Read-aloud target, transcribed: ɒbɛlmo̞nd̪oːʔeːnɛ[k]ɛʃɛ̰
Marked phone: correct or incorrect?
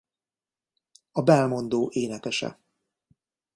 correct